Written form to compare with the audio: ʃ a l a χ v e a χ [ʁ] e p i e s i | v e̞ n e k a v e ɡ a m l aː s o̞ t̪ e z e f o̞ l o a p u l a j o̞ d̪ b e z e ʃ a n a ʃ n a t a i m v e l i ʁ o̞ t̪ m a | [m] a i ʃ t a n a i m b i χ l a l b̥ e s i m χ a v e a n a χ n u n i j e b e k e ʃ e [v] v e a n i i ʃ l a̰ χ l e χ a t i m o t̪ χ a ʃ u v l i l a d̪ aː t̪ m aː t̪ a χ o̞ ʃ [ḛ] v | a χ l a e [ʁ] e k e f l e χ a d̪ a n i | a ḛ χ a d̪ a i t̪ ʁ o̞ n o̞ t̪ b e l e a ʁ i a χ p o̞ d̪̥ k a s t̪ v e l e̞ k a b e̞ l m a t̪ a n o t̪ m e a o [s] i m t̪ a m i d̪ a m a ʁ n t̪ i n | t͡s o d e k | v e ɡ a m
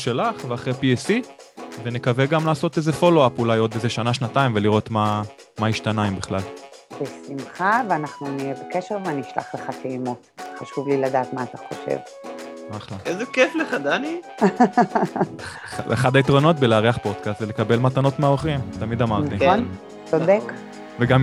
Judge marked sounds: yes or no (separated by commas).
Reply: yes, yes, no, yes, no, no